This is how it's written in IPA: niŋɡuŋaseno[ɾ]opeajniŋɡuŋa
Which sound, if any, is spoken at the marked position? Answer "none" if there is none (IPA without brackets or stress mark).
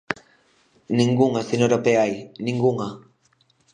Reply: ɾ